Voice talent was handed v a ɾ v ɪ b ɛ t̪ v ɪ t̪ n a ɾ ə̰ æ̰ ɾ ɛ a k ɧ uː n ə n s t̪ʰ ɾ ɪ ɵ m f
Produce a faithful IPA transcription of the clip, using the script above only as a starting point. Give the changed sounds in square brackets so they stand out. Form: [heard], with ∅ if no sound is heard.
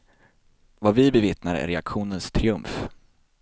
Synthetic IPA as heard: v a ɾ v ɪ b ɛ [∅] v ɪ t̪ n a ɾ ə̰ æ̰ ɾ ɛ a k ɧ uː n ə n s t̪ʰ ɾ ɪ ɵ m f

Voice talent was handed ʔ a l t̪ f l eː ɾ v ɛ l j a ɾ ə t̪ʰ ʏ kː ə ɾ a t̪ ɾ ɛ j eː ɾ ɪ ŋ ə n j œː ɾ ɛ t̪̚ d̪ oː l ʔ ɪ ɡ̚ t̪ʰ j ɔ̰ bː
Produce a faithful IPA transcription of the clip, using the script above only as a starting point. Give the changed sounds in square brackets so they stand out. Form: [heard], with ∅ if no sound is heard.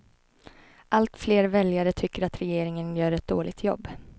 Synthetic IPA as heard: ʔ a l t̪ f l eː ɾ v ɛ l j a ɾ ə t̪ʰ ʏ kː ə ɾ a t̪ ɾ ɛ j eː ɾ ɪ ŋ ə n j œː ɾ ɛ t̪̚ d̪ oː l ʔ ɪ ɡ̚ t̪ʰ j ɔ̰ bː

